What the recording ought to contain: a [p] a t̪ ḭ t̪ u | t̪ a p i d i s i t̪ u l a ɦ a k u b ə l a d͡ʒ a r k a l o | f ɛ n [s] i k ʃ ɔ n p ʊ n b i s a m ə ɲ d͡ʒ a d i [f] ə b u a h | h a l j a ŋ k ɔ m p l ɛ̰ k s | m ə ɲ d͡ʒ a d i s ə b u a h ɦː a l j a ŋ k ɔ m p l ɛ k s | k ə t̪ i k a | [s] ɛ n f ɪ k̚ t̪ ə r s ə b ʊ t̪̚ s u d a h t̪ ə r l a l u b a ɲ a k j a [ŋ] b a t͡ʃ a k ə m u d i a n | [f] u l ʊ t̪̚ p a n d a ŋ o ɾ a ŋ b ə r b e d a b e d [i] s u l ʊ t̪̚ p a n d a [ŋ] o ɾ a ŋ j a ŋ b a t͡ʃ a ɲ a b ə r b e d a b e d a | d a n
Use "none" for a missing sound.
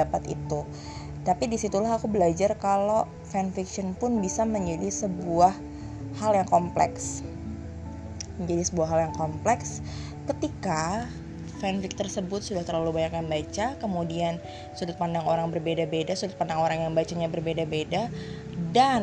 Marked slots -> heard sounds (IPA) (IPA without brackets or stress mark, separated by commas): p, f, s, f, n, s, a, ŋ